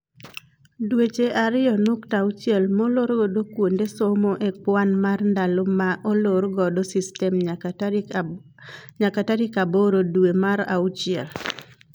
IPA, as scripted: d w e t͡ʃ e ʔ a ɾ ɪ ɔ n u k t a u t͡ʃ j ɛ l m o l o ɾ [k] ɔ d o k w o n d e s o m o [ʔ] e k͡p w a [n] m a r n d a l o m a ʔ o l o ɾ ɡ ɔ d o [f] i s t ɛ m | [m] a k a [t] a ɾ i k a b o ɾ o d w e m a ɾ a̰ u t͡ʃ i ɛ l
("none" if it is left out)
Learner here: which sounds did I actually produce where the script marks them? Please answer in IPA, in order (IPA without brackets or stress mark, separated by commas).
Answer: ɡ, ʔ, n, s, ɲ, t